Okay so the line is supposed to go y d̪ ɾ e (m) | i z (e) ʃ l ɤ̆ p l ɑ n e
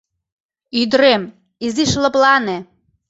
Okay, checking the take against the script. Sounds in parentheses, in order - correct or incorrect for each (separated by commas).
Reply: correct, incorrect